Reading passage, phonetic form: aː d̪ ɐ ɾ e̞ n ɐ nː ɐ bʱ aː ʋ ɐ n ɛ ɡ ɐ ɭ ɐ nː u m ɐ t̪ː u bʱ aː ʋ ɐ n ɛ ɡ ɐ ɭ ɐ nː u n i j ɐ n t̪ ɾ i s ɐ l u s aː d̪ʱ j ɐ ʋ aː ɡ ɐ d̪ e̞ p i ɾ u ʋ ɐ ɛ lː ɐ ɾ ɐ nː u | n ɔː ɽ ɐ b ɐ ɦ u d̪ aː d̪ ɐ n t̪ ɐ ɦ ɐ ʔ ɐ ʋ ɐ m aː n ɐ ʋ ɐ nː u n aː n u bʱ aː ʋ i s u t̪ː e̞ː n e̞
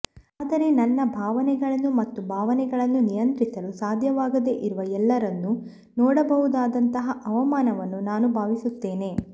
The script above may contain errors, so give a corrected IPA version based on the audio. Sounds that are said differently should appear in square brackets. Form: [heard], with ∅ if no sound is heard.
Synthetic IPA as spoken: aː d̪ ɐ ɾ e̞ n ɐ nː ɐ bʱ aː ʋ ɐ n ɛ ɡ ɐ ɭ ɐ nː u m ɐ t̪ː u bʱ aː ʋ ɐ n ɛ ɡ ɐ ɭ ɐ nː u n i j ɐ n t̪ ɾ i s ɐ l u s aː d̪ʱ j ɐ ʋ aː ɡ ɐ d̪ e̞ [ʔ] i ɾ u ʋ ɐ ɛ lː ɐ ɾ ɐ nː u | n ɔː ɽ ɐ b ɐ ɦ u d̪ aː d̪ ɐ n t̪ ɐ ɦ ɐ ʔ ɐ ʋ ɐ m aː n ɐ ʋ ɐ nː u n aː n u bʱ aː ʋ i s u t̪ː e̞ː n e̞

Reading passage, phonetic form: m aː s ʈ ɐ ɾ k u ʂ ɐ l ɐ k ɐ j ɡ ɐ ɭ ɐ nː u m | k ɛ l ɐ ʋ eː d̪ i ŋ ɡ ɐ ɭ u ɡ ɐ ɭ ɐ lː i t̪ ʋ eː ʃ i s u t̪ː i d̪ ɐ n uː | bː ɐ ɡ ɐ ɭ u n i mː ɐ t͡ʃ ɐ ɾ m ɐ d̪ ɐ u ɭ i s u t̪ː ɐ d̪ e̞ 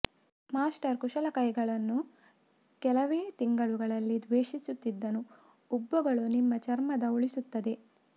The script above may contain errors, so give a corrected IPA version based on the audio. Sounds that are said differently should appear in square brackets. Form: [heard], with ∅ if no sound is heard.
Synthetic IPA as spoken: m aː s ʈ ɐ ɾ k u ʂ ɐ l ɐ k ɐ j ɡ ɐ ɭ ɐ nː u [∅] | k ɛ l ɐ ʋ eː [t̪] i ŋ ɡ ɐ ɭ u ɡ ɐ ɭ ɐ lː i [d̪] ʋ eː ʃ i s u t̪ː i [d̪ː] ɐ n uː | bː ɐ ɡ ɐ ɭ u n i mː ɐ t͡ʃ ɐ ɾ m ɐ d̪ ɐ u ɭ i s u t̪ː ɐ d̪ e̞

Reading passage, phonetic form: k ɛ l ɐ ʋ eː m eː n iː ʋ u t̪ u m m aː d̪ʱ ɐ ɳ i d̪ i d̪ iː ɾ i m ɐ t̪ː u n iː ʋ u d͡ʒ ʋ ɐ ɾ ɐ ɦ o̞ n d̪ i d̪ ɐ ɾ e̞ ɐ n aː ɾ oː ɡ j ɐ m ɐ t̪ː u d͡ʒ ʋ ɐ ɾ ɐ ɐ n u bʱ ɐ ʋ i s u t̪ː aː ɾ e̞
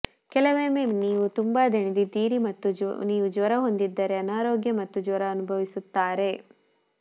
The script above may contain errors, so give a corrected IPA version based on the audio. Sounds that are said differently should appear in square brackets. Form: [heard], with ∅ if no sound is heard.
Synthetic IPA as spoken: k ɛ l ɐ ʋ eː m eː n iː ʋ u t̪ u m [b] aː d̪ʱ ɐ ɳ i d̪ i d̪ iː ɾ i m ɐ t̪ː u n iː ʋ u d͡ʒ ʋ ɐ ɾ ɐ ɦ o̞ n d̪ i [d̪ː] ɐ ɾ e̞ ɐ n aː ɾ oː ɡ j ɐ m ɐ t̪ː u d͡ʒ ʋ ɐ ɾ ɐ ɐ n u bʱ ɐ ʋ i s u t̪ː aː ɾ e̞

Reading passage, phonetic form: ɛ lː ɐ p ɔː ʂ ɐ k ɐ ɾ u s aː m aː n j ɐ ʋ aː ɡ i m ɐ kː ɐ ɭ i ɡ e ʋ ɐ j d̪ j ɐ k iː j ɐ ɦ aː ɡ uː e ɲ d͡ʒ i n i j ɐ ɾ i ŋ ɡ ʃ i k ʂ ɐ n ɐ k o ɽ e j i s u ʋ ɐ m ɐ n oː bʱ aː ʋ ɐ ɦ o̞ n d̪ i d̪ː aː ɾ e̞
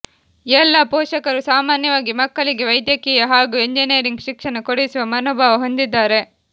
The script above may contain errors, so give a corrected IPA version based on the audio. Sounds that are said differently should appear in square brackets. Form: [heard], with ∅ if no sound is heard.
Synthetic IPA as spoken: ɛ lː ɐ p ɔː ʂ ɐ k ɐ ɾ u s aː m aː n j ɐ ʋ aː ɡ i m ɐ kː ɐ ɭ i ɡ e ʋ ɐ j d̪ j ɐ k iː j ɐ ɦ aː ɡ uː e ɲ d͡ʒ i n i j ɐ ɾ i ŋ ɡ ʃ i k ʂ ɐ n ɐ k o ɽ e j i s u ʋ ɐ m ɐ n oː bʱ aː ʋ ɐ ɦ o̞ n d̪ i d̪ː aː ɾ e̞

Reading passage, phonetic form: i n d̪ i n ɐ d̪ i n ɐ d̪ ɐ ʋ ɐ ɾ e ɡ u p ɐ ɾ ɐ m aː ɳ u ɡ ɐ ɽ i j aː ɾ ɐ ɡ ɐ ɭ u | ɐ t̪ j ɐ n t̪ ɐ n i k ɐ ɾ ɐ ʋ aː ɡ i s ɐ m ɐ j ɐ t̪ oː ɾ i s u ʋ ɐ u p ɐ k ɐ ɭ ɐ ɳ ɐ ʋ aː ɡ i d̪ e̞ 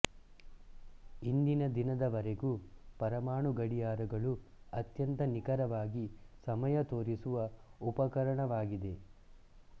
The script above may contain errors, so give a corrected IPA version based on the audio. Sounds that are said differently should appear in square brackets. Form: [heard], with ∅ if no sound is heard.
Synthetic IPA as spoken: i n d̪ i n ɐ d̪ i n ɐ d̪ ɐ ʋ ɐ ɾ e ɡ u p ɐ ɾ ɐ m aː ɳ u ɡ ɐ ɽ i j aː ɾ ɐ ɡ ɐ ɭ u | ɐ t̪ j ɐ n t̪ ɐ n i k ɐ ɾ ɐ ʋ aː ɡ i s ɐ m ɐ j ɐ t̪ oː ɾ i s u ʋ ɐ u p ɐ k ɐ [ɾ] ɐ ɳ ɐ ʋ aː ɡ i d̪ e̞

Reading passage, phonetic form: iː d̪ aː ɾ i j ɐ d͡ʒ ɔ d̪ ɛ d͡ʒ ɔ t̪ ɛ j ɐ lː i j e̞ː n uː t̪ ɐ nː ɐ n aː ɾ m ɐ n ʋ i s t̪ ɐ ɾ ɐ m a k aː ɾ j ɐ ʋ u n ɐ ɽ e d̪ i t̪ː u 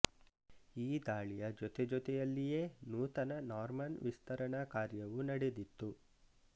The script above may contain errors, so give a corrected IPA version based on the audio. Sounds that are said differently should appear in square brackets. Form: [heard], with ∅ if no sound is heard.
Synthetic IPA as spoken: iː d̪ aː [ɭ] i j ɐ d͡ʒ ɔ [t̪] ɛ d͡ʒ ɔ t̪ ɛ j ɐ lː i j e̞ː n uː t̪ ɐ [n] ɐ n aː ɾ m ɐ n ʋ i s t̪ ɐ ɾ ɐ [ɳ] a k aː ɾ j ɐ ʋ u n ɐ ɽ e d̪ i t̪ː u

